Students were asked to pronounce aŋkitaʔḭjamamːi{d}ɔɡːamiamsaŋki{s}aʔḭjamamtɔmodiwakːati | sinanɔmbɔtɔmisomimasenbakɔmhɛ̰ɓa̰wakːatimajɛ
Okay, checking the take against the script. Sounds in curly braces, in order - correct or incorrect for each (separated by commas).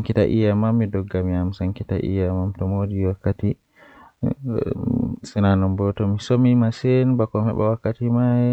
correct, incorrect